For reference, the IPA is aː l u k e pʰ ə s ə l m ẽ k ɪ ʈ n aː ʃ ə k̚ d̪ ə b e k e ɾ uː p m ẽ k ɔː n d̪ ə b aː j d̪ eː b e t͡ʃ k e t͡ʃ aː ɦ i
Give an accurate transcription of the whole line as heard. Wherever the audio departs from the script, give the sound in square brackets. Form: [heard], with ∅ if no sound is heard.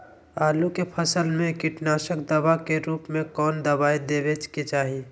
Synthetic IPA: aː l u k e pʰ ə s ə l m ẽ k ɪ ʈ n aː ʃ ə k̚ d̪ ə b [a] k e ɾ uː p m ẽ k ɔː n d̪ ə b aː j d̪ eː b e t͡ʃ k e t͡ʃ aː ɦ i